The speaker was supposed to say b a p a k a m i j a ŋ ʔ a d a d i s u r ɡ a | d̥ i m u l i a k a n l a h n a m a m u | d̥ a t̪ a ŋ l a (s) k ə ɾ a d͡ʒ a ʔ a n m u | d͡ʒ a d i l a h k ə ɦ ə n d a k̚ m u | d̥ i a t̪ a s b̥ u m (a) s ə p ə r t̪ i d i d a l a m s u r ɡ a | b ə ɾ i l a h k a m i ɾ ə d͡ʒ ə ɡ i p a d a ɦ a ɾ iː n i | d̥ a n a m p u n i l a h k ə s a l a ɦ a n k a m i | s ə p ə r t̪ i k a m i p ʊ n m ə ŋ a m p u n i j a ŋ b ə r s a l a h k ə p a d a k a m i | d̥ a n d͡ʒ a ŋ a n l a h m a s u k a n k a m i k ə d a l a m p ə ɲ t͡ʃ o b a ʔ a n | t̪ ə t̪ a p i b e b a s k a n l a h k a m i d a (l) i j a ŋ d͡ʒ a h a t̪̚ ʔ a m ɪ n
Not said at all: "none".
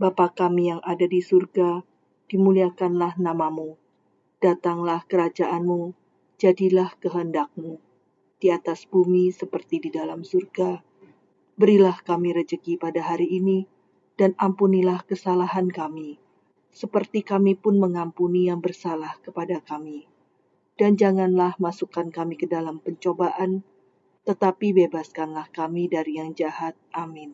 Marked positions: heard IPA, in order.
h, i, ɾ

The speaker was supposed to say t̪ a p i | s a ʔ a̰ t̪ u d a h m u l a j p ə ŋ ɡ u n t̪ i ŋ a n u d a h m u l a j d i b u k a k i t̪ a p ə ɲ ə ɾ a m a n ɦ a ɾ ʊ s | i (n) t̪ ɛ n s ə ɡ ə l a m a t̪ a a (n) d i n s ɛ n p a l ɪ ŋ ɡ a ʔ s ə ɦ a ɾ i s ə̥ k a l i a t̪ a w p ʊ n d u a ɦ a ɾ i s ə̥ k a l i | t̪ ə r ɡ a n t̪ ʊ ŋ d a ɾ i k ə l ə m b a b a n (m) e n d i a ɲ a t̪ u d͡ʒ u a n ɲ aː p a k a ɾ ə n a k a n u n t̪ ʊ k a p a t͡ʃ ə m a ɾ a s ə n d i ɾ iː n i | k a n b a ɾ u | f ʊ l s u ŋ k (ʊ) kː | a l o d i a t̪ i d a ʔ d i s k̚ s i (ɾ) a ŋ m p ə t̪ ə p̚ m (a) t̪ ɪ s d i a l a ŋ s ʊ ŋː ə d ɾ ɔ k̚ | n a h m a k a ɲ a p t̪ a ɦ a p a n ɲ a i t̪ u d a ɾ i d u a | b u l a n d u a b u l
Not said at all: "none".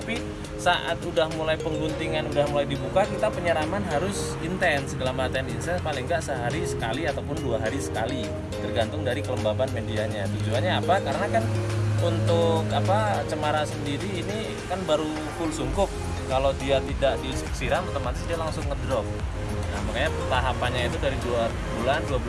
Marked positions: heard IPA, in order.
n, n, m, ʊ, ɾ, a

